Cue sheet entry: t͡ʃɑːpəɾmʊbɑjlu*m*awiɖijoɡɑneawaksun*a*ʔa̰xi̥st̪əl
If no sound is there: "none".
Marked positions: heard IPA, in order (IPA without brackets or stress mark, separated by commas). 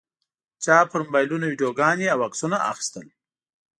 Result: n, a